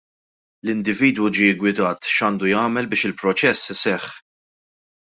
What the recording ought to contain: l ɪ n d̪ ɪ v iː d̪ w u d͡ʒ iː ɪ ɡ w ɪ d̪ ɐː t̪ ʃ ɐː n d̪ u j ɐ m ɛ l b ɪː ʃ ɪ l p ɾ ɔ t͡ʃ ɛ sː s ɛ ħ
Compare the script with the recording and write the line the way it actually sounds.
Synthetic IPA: l ɪ n d̪ ɪ v iː d̪ w u d͡ʒ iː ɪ ɡ w ɪ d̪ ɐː t̪ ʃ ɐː n d̪ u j ɐː m ɛ l b ɪː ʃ ɪ l p ɾ ɔ t͡ʃ ɛ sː s ɛ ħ

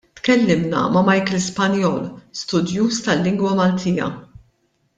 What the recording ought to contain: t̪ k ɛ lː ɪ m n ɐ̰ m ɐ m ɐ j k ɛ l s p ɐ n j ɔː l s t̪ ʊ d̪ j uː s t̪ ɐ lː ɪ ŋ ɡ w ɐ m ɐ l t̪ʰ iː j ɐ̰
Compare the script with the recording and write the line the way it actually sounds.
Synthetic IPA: t̪ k ɛ lː ɪ m n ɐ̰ m ɐ m ɐ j k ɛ l s p ɐ n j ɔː l s t̪ ʊ d̪ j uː s t̪ ɐ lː ɪ ŋ ɡ w ɐ m ɐ l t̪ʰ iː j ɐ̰

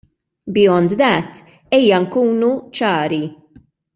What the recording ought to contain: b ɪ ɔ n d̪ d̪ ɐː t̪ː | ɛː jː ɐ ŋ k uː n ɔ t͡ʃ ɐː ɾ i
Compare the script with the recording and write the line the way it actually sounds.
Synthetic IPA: b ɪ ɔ n d̪ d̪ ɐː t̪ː | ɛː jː ɐ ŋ k uː n u t͡ʃ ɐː ɾ i

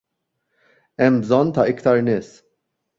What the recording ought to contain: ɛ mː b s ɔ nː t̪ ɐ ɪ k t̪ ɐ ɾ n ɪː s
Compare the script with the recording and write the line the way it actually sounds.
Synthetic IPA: ɛ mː b z ɔ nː t̪ ɐ ɪ k t̪ ɐ ɾ n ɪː s

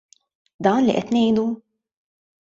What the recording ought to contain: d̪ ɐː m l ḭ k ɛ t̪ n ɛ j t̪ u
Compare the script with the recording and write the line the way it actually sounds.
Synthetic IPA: d̪ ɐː n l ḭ ʔ ɛ t̪ n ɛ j d̪ u

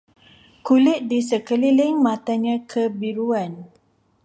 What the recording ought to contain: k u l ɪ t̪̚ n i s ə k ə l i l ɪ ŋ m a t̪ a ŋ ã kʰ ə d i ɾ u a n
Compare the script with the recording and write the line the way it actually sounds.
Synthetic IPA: k u l ɪ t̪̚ d i s ə k ə l i l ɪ ŋ m a t̪ a ɲ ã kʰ ə b i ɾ u a n

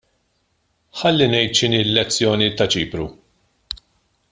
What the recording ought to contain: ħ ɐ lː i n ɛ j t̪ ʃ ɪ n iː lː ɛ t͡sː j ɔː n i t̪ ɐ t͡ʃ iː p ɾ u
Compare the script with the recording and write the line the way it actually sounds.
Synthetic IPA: ħ ɐ lː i n ɛ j t̪ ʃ ɪ n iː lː ɛ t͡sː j ɔː n i t̪ ɐ t͡ʃ iː p ɾ u

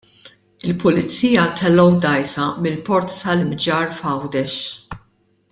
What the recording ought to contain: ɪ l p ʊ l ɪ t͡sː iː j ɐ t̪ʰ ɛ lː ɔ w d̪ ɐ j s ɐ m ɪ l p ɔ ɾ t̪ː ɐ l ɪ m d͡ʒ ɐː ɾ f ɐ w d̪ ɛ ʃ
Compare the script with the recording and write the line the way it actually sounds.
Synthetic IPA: ɪ l p ʊ l ɪ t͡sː iː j ɐ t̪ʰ ɛ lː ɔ w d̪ ɐ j s ɐ m ɪ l p ɔ ɾ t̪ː ɐ l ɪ m d͡ʒ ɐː ɾ f ɐ w d̪ ɛ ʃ

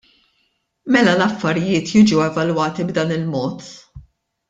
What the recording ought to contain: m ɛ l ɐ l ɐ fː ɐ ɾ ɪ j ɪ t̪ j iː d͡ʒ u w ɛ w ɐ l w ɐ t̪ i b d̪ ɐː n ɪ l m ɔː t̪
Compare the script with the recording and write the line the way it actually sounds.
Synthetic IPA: m ɛ l ɐ l ɐ fː ɐ ɾ ɪ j ɪː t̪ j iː d͡ʒ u w ɛ v ɐ l w ɐː t̪ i b d̪ ɐː n ɪ l m ɔː t̪

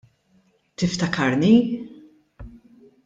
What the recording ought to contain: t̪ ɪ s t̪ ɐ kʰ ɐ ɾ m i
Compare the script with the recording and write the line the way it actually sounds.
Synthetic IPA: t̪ ɪ f t̪ ɐ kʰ ɐ ɾ n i

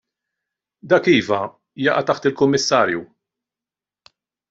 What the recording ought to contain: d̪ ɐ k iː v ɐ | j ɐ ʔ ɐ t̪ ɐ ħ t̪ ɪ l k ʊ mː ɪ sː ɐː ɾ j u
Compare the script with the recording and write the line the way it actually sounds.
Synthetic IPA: d̪ ɐ k iː v ɐ | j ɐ ʔ ɐ t̪ ɐ ħ t̪ ɪ l k ʊ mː ɪ sː ɐː ɾ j u

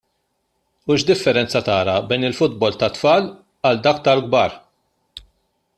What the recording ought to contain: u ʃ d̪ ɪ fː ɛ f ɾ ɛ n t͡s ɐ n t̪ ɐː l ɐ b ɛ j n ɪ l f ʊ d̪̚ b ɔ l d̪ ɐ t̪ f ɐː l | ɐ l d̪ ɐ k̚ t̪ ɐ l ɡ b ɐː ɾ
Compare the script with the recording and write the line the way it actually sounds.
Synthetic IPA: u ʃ d̪ ɪ fː ɛ ɾ ɛ n t͡s ɐ t̪ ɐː ɾ ɐ b ɛ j n ɪ l f ʊ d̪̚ b ɔ l t̪ ɐ t̪ f ɐː l | ɐ l d̪ ɐ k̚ t̪ ɐ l ɡ b ɐː ɾ

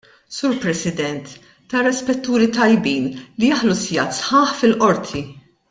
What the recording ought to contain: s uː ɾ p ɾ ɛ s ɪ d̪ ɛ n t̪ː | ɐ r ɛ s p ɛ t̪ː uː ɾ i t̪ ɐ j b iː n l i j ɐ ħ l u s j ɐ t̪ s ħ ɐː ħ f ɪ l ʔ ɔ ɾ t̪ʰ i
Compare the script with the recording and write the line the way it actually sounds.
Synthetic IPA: s uː ɾ p ɾ ɛ s ɪ d̪ ɛ n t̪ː | ɐ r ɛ s p ɛ t̪ː uː ɾ i t̪ ɐ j b iː n l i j ɐ ħ l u s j ɐ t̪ s ħ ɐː ħ f ɪ l ʔ ɔ ɾ t̪ʰ i

